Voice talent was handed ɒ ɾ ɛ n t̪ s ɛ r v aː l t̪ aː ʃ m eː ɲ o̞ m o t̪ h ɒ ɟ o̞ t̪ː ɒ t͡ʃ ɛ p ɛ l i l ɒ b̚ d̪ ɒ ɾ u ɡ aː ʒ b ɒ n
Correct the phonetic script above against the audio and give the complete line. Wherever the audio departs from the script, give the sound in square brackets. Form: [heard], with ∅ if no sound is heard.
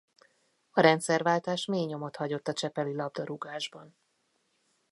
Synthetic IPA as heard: ɒ ɾ ɛ n t̪ s ɛ r v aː l t̪ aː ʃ m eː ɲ o̞ m o t̪ h ɒ ɟ o̞ t̪ː ɒ t͡ʃ ɛ p ɛ l i l ɒ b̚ d̪ ɒ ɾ u ɡ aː ʒ b ɒ n